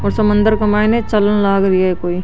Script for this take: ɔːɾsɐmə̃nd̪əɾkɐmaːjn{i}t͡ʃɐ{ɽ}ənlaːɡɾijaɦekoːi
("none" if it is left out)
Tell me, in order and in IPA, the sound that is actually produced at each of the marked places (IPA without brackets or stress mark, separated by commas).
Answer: e, l